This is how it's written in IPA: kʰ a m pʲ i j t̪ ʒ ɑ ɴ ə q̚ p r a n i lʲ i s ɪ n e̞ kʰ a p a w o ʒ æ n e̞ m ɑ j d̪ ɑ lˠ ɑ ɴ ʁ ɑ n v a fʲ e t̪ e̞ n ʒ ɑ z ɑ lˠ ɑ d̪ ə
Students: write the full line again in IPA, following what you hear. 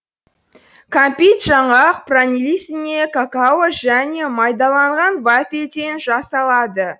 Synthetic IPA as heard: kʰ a m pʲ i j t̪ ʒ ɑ ɴ ɑ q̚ p r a n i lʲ i s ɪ n e̞ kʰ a k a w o ʒ æ n e̞ m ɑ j d̪ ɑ lˠ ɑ ɴ ʁ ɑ n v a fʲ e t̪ e̞ n ʒ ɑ s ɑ lˠ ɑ d̪ ə